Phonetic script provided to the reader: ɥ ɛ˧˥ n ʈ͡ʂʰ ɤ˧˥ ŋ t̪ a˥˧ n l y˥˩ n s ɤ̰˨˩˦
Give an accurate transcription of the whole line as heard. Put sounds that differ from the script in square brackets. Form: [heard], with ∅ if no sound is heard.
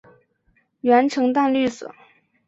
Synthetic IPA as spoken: ɥ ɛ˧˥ n ʈ͡ʂʰ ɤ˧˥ ŋ t̪ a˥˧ n l y˥˩ [∅] s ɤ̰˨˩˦